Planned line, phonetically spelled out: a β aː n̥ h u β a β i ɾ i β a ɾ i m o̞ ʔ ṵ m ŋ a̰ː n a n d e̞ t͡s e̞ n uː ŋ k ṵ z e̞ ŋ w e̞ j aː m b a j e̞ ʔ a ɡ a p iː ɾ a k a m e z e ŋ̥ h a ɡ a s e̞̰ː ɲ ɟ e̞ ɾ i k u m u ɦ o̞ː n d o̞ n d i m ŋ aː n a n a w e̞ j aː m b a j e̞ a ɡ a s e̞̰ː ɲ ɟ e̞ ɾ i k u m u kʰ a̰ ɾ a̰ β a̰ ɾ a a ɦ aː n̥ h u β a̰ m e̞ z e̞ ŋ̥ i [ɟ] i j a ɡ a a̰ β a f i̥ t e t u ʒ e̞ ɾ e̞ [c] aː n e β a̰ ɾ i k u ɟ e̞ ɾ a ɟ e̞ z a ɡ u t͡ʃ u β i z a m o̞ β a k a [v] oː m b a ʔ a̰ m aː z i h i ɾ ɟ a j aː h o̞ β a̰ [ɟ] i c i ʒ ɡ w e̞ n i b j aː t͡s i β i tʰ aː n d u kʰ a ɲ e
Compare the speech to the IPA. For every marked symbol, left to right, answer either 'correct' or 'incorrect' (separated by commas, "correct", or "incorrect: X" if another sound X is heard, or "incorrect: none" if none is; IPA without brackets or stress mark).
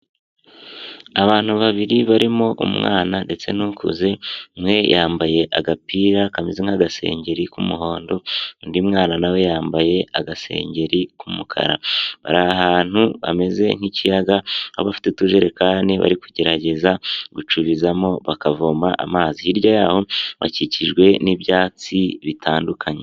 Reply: incorrect: c, incorrect: k, correct, incorrect: c